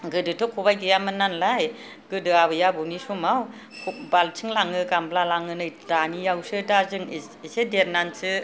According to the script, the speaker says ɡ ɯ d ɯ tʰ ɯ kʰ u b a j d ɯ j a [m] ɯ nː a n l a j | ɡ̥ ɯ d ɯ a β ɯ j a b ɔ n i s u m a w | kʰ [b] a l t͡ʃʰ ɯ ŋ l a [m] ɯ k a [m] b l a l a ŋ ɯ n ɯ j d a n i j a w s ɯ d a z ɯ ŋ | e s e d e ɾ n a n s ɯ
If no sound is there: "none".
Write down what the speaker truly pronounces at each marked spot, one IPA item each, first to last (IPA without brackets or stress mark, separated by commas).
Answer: m, b, ŋ, m